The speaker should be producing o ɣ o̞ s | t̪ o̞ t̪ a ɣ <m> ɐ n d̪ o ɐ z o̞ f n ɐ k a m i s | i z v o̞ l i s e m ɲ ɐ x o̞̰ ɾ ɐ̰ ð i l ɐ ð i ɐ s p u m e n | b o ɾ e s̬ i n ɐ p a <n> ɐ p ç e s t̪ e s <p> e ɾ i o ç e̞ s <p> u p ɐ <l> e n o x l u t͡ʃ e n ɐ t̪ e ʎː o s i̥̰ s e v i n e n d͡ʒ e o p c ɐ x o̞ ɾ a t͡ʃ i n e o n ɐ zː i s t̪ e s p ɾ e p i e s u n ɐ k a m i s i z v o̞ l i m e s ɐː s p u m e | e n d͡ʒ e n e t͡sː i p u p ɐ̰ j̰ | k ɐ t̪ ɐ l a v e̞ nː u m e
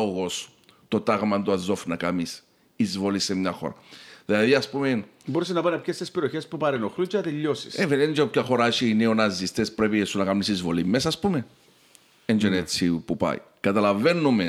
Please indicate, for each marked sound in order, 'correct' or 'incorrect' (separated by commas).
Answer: correct, correct, correct, correct, incorrect